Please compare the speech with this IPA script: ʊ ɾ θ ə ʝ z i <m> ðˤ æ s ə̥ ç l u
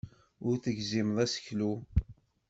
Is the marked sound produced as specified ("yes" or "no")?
yes